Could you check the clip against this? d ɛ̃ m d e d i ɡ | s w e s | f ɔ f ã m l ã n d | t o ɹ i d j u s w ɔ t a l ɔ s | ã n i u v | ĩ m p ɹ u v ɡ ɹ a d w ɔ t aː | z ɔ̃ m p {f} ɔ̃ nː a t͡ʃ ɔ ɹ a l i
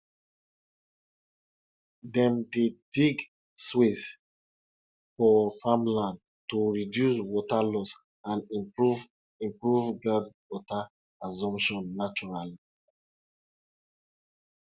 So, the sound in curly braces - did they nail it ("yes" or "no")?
no